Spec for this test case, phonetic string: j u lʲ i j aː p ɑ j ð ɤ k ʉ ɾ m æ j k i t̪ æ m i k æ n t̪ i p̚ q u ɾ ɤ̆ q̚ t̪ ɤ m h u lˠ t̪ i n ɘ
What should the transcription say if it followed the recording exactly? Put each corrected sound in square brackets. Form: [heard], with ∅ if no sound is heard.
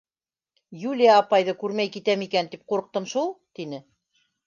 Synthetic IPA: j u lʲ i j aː p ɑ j ð ɤ k ʉ ɾ m æ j k i t̪ æ m i k æ n t̪ i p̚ q u ɾ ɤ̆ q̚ t̪ ɤ m [ʃ] u lˠ t̪ i n ɘ

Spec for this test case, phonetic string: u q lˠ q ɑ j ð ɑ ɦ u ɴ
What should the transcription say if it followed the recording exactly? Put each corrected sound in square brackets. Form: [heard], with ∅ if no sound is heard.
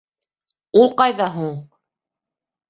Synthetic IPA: u [∅] lˠ q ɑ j ð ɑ ɦ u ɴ

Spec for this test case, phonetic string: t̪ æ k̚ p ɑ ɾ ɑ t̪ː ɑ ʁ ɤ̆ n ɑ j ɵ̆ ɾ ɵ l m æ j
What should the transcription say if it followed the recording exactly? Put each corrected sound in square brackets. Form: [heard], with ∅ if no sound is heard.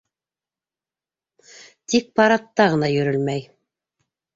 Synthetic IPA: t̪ [i] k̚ p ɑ ɾ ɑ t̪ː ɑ ʁ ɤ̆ n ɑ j ɵ̆ ɾ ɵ l m æ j

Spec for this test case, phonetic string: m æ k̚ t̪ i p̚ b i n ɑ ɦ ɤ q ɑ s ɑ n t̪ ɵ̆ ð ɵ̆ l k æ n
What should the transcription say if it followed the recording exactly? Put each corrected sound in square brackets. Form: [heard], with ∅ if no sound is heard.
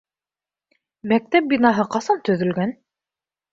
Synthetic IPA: m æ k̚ t̪ [æ] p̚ b i n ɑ ɦ ɤ q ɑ s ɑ n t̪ ɵ̆ ð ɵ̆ l [ɡ] æ n

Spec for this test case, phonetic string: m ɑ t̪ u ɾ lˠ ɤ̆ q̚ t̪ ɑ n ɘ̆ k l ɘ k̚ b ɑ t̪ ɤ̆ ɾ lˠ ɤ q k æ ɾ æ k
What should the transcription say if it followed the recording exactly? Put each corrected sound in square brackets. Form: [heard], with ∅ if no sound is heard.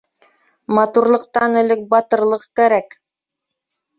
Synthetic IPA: m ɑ t̪ u ɾ lˠ ɤ̆ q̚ t̪ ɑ n ɘ̆ [∅] l ɘ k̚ b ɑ t̪ ɤ̆ ɾ lˠ ɤ q k æ ɾ æ k

